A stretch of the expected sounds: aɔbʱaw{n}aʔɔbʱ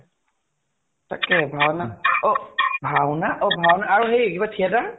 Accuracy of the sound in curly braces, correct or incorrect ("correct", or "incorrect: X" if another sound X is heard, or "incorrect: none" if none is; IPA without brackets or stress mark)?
correct